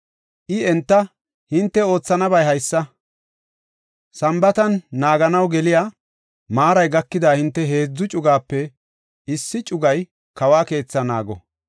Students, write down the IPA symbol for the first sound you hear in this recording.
ʔ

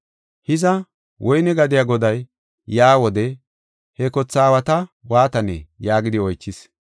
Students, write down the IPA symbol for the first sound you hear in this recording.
h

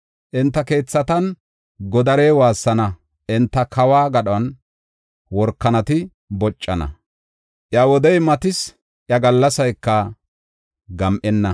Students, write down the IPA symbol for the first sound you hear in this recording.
ʔ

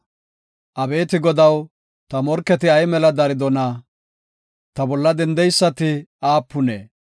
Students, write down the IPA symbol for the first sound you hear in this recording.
ʔ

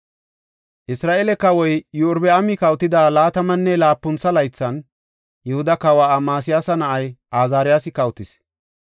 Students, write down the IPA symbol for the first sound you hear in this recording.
ʔ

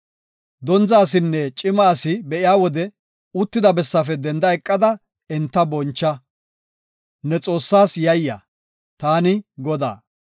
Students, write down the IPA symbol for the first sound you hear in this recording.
d̪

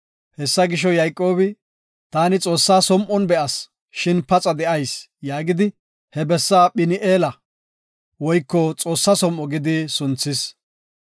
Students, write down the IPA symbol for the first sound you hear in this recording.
h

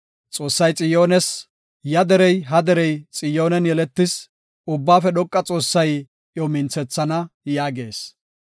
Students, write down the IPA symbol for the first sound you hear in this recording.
t͡sʼ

